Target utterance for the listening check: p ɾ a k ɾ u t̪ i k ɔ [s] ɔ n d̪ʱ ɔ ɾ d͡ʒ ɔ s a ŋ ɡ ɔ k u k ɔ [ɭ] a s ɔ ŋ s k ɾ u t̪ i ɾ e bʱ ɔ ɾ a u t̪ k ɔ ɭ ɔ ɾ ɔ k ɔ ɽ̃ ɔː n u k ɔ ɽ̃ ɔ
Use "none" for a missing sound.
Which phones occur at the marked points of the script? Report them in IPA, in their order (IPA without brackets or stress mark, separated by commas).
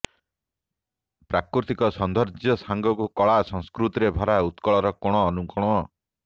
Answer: s, ɭ